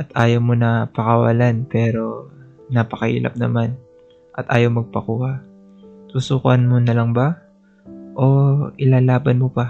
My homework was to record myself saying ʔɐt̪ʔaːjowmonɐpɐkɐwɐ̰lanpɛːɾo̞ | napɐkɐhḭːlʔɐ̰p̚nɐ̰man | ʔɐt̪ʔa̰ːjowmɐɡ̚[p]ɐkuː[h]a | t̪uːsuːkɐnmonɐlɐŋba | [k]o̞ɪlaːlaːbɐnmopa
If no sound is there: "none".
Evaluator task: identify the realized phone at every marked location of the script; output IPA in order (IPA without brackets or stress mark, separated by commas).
p, h, ʔ